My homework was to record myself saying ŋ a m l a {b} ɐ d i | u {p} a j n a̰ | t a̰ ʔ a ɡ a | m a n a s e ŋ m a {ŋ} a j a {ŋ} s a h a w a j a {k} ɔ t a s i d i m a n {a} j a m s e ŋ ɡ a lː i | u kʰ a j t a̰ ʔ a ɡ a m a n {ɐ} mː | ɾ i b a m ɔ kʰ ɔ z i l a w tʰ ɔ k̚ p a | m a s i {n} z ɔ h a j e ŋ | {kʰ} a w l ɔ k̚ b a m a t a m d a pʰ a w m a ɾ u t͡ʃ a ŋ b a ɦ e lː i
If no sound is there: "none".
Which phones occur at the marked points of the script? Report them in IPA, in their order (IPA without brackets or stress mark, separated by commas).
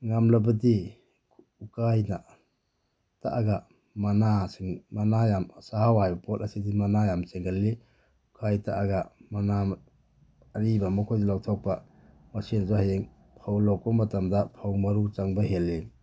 b, k, n, m, p, a, a, n, pʰ